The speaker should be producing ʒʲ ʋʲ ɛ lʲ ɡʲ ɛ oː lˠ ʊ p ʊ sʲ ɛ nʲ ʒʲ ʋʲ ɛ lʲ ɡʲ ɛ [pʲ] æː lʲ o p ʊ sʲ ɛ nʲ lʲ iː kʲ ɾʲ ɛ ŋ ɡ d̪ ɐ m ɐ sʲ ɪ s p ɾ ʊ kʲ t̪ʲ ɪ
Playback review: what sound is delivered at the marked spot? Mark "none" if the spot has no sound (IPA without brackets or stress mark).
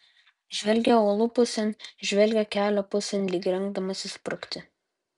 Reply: kʲ